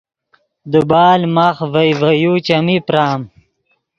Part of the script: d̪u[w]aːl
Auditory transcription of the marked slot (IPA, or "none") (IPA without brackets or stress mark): b